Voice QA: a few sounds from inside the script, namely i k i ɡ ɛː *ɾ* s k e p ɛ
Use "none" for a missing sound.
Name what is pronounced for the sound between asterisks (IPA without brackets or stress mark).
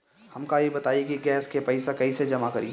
none